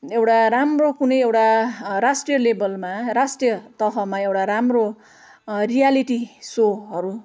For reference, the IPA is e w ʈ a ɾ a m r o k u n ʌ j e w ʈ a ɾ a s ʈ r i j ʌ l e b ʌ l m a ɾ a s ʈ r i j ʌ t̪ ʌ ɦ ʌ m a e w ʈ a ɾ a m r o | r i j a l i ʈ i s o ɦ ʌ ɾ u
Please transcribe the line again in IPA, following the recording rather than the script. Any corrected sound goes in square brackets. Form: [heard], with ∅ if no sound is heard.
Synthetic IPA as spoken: e w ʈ a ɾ a m r o k u n ʌ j e w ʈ a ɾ a s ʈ r i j ʌ l e b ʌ l m a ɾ a s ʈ r i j ʌ t̪ ʌ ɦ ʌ m a e w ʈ a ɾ a m r o | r i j a l i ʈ i s o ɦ ʌ ɾ u